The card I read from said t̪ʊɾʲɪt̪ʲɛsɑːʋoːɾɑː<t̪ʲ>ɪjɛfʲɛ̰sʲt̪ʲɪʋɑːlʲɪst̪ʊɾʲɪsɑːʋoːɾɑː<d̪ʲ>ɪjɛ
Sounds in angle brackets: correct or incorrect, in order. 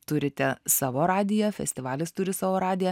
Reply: incorrect: d̪ʲ, correct

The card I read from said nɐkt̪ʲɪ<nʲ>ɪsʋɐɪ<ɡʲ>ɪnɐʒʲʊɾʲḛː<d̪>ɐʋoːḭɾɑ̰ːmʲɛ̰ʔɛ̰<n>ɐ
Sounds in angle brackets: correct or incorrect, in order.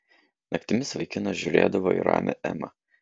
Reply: incorrect: mʲ, incorrect: kʲ, correct, incorrect: m

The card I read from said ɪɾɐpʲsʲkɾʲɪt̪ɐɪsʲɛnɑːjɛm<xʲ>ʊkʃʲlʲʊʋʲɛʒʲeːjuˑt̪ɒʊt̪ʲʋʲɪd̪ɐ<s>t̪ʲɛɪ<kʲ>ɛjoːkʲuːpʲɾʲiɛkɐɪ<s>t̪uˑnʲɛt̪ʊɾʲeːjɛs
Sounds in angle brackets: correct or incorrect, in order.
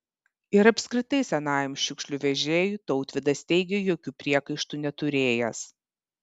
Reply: incorrect: ʃʲ, correct, incorrect: ɡʲ, incorrect: ʃ

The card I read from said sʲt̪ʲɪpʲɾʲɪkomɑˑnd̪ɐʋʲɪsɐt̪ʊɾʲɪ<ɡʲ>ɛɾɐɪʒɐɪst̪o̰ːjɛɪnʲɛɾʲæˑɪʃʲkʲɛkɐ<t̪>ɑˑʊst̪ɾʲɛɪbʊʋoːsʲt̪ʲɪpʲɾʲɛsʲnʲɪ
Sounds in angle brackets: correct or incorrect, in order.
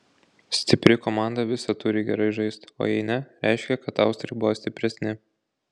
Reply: correct, correct

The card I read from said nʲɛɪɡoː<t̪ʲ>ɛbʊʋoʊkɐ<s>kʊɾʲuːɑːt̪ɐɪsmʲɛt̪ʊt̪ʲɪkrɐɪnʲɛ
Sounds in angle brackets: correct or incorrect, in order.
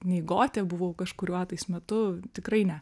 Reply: correct, incorrect: ʃ

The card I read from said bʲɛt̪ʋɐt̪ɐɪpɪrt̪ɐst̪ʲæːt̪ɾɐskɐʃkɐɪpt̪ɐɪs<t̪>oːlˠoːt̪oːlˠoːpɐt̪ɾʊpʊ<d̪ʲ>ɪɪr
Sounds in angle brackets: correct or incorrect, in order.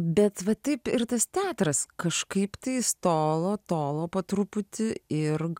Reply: correct, incorrect: t̪ʲ

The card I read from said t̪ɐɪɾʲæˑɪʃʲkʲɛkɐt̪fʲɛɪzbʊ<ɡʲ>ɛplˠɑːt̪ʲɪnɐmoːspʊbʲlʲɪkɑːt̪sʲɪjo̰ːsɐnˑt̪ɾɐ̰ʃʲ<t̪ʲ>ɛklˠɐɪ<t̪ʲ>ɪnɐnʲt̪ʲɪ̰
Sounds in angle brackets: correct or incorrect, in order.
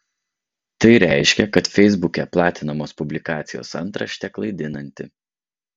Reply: incorrect: kʲ, correct, incorrect: d̪ʲ

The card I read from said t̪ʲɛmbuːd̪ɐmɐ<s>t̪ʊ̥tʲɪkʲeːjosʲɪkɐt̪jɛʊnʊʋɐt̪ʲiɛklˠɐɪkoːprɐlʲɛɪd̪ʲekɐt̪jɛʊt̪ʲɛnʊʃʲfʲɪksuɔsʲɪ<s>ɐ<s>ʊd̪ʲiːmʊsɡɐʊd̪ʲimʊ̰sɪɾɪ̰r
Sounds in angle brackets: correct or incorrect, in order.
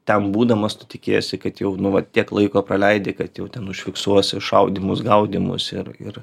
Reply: correct, incorrect: ʃ, incorrect: none

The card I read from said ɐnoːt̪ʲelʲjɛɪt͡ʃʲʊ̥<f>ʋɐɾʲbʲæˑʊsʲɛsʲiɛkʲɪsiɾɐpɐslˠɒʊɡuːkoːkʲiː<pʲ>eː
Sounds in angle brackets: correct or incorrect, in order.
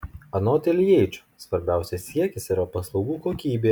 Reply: incorrect: s, incorrect: bʲ

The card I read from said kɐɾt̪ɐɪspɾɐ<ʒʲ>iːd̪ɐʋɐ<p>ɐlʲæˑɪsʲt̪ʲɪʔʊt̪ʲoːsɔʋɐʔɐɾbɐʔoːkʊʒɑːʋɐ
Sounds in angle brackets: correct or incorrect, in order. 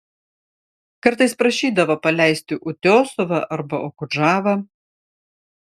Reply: incorrect: ʃʲ, correct

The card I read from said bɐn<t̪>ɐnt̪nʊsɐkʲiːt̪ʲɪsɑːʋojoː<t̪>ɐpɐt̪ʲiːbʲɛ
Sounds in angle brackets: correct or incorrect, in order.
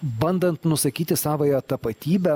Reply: incorrect: d̪, correct

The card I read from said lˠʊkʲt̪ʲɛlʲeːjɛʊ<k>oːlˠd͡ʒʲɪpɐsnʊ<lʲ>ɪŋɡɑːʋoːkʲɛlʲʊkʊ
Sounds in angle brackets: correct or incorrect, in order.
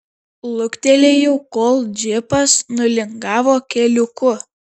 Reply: correct, correct

